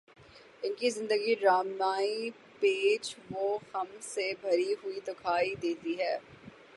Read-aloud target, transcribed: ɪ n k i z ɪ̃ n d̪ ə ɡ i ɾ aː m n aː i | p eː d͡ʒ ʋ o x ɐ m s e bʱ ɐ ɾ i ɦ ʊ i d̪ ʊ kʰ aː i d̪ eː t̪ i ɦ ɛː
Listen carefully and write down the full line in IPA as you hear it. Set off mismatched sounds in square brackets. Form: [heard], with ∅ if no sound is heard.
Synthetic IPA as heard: ɪ n k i z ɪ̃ n d̪ ə ɡ i ɾ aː m n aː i | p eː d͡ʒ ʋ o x ɐ m s e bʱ ɐ ɾ i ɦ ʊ i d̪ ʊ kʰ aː i d̪ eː t̪ i ɦ ɛː